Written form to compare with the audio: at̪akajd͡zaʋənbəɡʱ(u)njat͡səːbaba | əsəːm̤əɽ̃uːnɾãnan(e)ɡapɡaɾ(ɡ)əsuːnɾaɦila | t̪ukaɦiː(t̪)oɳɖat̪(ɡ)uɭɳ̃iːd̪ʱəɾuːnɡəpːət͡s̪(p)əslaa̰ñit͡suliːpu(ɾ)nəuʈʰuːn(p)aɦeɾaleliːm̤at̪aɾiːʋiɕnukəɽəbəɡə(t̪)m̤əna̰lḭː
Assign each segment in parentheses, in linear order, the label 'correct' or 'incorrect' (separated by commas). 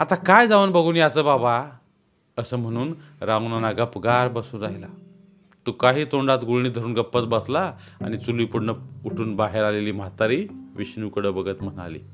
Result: incorrect, incorrect, incorrect, correct, correct, incorrect, incorrect, incorrect, correct